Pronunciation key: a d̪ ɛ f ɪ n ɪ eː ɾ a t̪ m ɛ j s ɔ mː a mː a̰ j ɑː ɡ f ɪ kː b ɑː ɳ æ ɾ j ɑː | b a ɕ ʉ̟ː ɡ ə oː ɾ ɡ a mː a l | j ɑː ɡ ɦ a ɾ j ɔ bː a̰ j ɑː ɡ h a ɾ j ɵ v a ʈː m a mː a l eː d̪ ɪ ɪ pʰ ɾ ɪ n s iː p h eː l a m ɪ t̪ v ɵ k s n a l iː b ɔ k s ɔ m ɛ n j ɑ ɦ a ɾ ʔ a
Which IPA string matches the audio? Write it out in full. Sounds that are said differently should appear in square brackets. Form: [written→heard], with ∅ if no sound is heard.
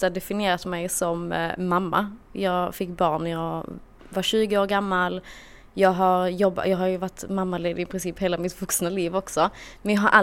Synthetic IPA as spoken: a d̪ ɛ f ɪ n ɪ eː ɾ a t̪ m ɛ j s ɔ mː a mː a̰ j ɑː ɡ f ɪ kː b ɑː ɳ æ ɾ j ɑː | [b→v] a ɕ ʉ̟ː ɡ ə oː ɾ ɡ a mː a l | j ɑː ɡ ɦ a ɾ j ɔ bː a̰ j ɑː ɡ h a ɾ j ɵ v a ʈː m a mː a l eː d̪ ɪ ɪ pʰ ɾ ɪ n s iː p h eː l a m ɪ t̪ v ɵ k s n a l iː [b→v] ɔ k s ɔ m ɛ n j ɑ ɦ a ɾ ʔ a